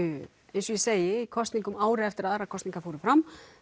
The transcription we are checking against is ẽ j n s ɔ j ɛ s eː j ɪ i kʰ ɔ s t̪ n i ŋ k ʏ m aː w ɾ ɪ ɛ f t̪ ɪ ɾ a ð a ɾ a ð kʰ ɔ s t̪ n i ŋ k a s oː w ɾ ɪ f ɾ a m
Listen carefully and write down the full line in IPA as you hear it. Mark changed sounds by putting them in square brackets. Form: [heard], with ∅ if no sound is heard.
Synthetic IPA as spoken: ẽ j n s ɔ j ɛ s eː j ɪ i kʰ ɔ s t̪ n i ŋ k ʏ m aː w ɾ ɪ ɛ f t̪ ɪ ɾ a ð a ɾ a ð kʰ ɔ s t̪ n i ŋ k a [f] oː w ɾ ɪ f ɾ a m